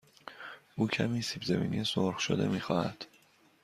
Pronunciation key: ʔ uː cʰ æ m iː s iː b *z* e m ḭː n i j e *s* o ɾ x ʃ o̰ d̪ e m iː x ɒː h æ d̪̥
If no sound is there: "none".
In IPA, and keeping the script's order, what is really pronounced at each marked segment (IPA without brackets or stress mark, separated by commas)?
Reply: z, s